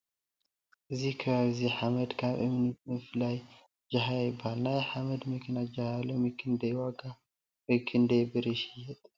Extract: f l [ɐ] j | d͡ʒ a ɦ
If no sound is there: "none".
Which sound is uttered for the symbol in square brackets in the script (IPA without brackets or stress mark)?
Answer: a